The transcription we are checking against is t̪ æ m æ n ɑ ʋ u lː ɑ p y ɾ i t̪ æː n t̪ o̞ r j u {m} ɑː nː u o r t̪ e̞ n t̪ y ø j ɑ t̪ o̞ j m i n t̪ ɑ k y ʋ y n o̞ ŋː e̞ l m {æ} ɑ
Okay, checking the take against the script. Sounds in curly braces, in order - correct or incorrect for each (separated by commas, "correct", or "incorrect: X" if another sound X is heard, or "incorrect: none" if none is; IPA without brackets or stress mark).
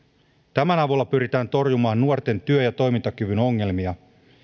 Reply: correct, incorrect: i